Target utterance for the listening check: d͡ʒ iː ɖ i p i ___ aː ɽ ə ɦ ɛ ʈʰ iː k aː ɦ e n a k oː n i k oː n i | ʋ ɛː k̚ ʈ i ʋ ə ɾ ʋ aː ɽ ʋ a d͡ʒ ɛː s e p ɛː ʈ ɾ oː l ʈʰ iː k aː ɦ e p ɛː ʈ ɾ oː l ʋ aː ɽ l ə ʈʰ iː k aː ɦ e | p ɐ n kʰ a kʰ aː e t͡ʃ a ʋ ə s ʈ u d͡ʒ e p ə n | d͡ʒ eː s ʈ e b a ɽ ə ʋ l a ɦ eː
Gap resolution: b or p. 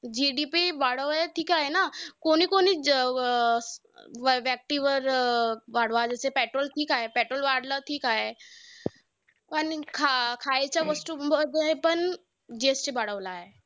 b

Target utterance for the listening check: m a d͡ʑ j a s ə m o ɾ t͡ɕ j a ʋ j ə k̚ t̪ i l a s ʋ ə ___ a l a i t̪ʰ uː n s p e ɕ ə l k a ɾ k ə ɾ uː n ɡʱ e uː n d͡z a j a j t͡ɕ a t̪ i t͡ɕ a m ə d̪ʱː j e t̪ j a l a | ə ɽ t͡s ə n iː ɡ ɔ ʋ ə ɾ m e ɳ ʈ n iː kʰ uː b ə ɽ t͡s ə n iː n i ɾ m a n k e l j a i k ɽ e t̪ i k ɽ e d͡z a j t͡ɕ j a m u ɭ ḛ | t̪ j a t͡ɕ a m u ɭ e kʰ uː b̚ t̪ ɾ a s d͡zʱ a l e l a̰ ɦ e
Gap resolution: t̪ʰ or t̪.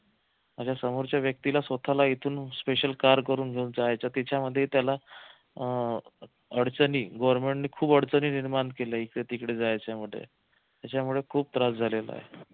t̪ʰ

